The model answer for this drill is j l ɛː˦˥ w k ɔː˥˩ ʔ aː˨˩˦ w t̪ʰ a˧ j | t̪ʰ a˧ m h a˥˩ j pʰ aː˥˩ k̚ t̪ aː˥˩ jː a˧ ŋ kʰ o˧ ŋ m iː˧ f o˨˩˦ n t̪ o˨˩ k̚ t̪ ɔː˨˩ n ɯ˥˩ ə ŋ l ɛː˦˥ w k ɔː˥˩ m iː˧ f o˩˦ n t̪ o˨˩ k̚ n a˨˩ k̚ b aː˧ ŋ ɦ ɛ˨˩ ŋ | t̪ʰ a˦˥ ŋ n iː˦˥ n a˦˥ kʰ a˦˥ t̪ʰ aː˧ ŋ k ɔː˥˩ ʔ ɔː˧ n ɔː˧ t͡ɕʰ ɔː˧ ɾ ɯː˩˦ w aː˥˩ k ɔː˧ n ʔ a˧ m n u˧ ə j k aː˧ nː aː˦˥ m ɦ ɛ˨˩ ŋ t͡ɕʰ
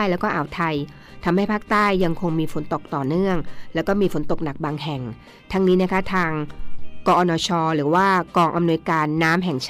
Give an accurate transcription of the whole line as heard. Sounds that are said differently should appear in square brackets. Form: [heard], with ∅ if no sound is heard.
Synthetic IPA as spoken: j l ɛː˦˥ w k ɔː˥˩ ʔ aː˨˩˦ w t̪ʰ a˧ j | t̪ʰ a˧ m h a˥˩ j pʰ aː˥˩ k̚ t̪ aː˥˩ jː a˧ ŋ kʰ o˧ ŋ m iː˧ f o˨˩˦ n t̪ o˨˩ k̚ t̪ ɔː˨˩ n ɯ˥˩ ə ŋ l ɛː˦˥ w k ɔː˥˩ m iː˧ f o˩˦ n t̪ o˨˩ k̚ n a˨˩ k̚ b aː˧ ŋ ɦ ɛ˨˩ ŋ | t̪ʰ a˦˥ ŋ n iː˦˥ n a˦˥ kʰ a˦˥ t̪ʰ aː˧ ŋ k [ɔː˧] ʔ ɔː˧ n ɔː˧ t͡ɕʰ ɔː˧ ɾ ɯː˩˦ w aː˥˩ k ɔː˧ [ŋ] ʔ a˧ m n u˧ ə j k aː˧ nː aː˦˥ m ɦ ɛ˨˩ ŋ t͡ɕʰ